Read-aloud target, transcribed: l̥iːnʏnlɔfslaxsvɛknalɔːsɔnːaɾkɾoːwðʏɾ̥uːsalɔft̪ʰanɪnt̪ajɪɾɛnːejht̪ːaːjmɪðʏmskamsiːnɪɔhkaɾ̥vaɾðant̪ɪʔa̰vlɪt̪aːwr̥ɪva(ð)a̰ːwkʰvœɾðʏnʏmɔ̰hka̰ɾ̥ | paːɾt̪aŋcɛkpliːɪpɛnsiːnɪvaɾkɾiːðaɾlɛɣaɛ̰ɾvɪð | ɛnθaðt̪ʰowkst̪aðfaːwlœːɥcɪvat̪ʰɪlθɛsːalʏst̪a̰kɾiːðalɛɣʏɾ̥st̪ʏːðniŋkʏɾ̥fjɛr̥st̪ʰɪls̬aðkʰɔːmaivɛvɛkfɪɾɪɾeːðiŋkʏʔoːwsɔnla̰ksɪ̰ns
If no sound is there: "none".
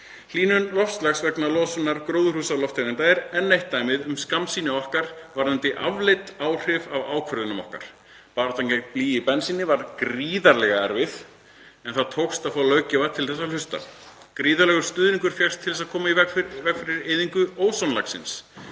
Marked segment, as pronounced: v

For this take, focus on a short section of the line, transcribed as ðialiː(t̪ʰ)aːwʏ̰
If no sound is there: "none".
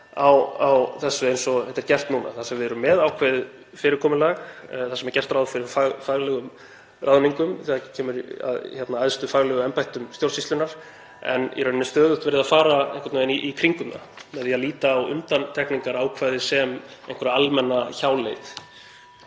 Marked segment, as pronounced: t̪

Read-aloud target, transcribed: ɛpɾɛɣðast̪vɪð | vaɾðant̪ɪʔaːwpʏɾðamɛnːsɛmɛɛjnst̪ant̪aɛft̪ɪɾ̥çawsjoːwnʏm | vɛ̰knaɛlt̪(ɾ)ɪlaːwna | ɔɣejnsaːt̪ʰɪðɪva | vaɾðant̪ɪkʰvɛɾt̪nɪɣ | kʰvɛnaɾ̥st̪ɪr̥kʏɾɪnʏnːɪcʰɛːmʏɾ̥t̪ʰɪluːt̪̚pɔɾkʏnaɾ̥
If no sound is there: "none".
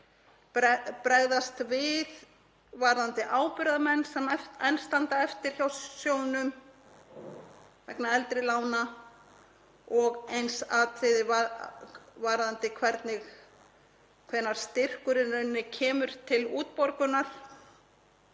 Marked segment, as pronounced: ɾ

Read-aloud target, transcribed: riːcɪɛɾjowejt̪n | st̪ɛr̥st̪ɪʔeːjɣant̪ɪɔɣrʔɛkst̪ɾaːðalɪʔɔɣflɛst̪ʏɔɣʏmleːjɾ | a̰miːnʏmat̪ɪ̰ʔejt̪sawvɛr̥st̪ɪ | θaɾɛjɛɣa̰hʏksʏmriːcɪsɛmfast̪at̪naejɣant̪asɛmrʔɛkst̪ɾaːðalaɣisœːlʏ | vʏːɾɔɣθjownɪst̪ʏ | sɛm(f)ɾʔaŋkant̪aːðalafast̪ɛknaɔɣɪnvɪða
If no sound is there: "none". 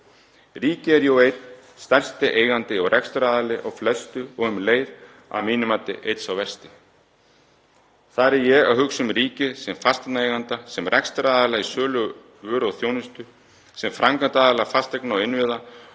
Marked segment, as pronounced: f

